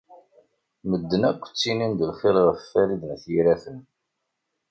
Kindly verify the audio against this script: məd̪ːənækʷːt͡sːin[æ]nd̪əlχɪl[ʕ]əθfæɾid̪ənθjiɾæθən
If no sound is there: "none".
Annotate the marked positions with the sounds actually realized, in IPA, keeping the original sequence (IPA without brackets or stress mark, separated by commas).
i, ʁ